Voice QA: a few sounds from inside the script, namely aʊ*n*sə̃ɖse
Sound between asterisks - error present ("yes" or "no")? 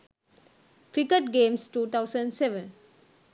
yes